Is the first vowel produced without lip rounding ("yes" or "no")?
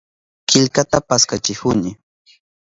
yes